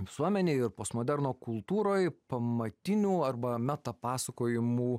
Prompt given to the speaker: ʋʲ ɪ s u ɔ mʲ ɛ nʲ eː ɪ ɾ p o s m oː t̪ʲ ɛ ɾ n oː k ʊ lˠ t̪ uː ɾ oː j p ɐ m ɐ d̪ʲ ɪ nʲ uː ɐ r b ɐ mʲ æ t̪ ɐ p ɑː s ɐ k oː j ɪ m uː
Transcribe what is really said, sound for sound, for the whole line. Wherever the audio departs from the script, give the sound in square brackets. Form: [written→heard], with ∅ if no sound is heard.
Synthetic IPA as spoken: ʋʲ ɪ s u ɔ mʲ ɛ nʲ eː ɪ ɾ p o s m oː [t̪ʲ→d̪ʲ] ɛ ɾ n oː k ʊ lˠ t̪ uː ɾ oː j p ɐ m ɐ [d̪ʲ→t̪ʲ] ɪ nʲ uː ɐ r b ɐ mʲ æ t̪ ɐ p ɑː s ɐ k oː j ɪ m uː